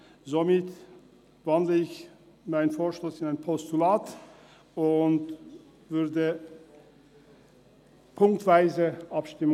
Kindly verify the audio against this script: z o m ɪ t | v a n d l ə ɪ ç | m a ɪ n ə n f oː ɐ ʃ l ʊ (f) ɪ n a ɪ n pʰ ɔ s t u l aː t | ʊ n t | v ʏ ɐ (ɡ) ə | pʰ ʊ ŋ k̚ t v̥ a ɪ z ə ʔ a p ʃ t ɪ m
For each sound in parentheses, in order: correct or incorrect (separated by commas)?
incorrect, incorrect